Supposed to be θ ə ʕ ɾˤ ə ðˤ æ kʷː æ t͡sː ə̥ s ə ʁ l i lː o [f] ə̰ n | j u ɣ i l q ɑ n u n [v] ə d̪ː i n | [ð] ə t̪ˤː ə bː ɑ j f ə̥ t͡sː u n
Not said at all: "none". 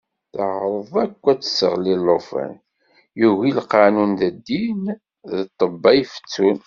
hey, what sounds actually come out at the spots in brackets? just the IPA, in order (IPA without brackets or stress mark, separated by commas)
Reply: f, ð, ð